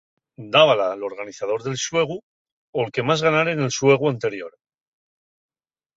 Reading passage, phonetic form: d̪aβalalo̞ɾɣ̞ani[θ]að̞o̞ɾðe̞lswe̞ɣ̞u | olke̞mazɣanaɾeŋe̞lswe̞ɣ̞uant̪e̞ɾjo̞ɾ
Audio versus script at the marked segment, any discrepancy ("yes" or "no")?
no